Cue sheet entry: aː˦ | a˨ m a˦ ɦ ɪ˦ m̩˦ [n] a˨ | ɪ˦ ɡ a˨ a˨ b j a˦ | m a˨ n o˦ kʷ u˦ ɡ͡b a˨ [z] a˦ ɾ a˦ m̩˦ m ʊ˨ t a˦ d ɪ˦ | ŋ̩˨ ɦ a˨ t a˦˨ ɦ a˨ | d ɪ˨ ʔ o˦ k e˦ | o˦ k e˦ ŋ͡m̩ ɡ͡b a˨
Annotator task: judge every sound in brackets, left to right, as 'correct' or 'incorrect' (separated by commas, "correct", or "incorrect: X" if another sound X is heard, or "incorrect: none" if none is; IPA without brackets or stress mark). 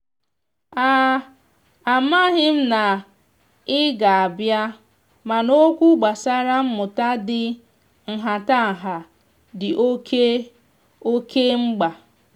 correct, incorrect: s